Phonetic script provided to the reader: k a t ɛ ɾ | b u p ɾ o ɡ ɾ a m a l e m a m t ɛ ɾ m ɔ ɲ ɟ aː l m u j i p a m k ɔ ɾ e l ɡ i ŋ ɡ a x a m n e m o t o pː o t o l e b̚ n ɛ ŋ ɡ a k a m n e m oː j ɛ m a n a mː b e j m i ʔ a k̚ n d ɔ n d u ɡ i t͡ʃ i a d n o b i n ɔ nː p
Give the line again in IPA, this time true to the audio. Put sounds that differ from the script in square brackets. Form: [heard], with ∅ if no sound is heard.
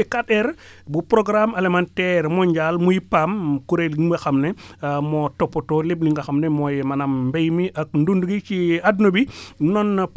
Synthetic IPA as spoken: k a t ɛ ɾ | b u p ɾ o ɡ ɾ a m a l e m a [n] t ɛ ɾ m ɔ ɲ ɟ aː l m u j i p a m k [u] ɾ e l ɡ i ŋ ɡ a x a m n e m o t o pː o t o l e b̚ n [i] ŋ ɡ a [x] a m n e m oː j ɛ m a n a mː b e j m i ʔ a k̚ n d [u] n d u ɡ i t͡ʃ i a d n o b i n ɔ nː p